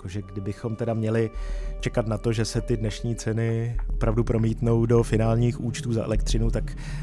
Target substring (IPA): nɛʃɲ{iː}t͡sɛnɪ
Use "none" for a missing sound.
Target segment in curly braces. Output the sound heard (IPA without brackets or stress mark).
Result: iː